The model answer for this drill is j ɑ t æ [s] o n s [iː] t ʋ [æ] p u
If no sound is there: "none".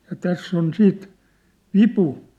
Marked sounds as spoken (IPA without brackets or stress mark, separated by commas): sː, iː, i